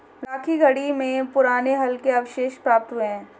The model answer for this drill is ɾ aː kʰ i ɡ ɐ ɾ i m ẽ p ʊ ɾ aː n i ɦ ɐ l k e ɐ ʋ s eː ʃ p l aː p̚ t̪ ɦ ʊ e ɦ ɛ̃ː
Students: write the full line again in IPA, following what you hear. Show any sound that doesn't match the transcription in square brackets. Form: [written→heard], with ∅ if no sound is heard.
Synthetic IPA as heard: ɾ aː kʰ i ɡ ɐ [ɾ→ɽ] i m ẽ p ʊ ɾ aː n [i→e] ɦ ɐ l k e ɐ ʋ [s→ʃ] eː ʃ p [l→ɾ] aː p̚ t̪ ɦ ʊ e ɦ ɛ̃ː